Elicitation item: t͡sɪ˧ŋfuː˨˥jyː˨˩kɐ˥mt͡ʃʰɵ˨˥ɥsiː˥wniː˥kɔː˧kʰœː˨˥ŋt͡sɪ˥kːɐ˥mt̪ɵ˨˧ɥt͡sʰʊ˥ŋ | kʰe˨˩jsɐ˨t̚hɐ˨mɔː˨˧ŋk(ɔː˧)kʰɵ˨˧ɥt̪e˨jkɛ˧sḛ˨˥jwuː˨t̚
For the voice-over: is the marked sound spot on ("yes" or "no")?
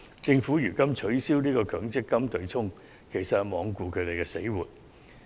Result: no